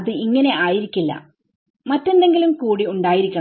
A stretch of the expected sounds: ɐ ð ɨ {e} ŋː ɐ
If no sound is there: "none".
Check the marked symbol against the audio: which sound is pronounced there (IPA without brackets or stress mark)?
i